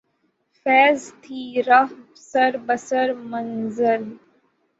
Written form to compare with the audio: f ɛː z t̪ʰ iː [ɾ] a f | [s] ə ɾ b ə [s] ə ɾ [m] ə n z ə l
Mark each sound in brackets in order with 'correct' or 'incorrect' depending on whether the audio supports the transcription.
correct, correct, correct, correct

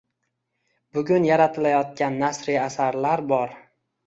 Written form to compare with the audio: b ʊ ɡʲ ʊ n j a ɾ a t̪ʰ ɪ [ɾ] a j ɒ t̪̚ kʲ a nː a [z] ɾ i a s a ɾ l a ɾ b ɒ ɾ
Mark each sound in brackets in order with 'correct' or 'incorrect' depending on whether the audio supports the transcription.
incorrect, incorrect

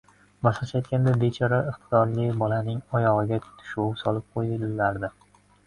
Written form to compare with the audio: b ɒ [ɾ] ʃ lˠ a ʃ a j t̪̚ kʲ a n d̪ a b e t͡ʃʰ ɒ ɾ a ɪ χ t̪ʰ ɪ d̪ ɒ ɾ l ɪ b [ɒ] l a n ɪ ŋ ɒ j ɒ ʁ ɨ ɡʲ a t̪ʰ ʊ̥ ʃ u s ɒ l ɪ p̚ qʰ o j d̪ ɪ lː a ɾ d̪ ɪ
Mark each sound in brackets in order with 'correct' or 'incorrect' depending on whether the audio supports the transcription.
incorrect, correct

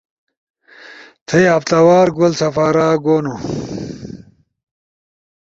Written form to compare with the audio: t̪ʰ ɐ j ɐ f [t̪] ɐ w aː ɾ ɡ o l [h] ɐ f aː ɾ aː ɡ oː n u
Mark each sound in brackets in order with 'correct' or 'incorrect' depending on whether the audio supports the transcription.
correct, incorrect

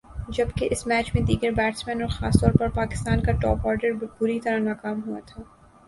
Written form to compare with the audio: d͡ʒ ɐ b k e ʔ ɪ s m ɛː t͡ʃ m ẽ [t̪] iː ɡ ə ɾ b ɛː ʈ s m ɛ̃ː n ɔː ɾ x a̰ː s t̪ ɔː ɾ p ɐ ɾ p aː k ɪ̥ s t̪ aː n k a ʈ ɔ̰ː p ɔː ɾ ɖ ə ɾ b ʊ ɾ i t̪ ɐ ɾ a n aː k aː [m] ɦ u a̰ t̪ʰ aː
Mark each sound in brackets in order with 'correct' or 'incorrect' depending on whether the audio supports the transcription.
incorrect, correct

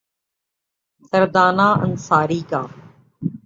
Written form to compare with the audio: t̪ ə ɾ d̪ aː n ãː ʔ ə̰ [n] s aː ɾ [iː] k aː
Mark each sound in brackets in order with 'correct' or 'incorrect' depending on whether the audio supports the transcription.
correct, correct

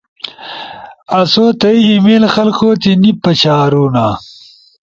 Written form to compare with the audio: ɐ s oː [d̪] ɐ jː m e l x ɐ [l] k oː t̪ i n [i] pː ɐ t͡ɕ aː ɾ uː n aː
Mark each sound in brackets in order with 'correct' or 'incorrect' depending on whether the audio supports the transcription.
incorrect, correct, correct

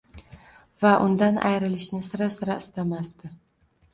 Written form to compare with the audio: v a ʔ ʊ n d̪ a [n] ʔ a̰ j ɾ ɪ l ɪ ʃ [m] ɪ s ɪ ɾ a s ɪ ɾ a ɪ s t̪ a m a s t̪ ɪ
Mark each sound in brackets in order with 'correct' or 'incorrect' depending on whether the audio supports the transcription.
correct, incorrect

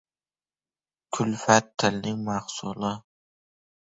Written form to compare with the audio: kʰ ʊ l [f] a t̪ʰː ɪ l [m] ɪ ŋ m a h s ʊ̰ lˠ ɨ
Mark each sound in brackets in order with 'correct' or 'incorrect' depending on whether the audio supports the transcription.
correct, incorrect

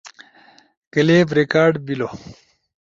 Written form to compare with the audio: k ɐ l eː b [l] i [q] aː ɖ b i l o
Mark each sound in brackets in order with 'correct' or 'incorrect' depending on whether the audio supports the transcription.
incorrect, incorrect

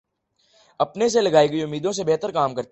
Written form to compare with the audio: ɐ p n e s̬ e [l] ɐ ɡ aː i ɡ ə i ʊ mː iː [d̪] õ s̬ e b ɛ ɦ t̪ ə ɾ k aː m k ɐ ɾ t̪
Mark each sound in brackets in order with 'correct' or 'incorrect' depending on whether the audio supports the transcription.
correct, correct

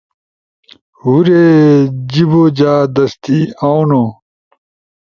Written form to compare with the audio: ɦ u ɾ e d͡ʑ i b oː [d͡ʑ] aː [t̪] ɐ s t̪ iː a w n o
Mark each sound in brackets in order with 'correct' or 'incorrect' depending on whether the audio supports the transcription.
correct, incorrect

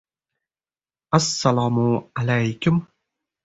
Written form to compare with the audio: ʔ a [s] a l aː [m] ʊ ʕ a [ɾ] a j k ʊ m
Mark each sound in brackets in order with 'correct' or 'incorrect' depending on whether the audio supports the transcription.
incorrect, correct, incorrect

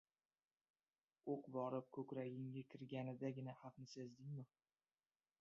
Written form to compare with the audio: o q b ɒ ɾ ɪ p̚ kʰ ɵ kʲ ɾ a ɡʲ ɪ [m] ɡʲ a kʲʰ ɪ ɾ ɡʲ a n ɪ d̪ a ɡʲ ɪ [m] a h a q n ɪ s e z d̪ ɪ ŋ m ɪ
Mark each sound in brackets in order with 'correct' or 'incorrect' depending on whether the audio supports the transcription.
incorrect, incorrect

